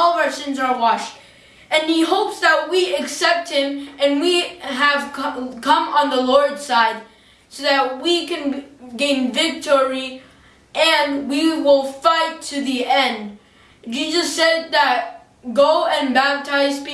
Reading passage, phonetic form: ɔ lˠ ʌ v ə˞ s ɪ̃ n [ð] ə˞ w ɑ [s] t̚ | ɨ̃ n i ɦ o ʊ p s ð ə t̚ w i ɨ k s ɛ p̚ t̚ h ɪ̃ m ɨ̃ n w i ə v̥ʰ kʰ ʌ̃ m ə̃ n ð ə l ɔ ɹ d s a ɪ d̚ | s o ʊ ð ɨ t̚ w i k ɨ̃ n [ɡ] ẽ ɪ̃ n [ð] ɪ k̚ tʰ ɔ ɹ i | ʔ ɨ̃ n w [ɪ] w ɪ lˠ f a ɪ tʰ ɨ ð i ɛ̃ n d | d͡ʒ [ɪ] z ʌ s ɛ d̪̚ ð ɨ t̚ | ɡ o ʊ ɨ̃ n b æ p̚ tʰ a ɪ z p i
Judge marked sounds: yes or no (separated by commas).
no, no, yes, no, no, no